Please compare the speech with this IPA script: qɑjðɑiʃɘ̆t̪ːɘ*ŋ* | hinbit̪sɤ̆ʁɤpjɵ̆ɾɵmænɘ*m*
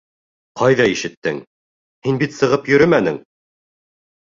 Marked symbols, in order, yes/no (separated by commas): yes, no